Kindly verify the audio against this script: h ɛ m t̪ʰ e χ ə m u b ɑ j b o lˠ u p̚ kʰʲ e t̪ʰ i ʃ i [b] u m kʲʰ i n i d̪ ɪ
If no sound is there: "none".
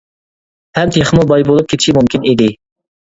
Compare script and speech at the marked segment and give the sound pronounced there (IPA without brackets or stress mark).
m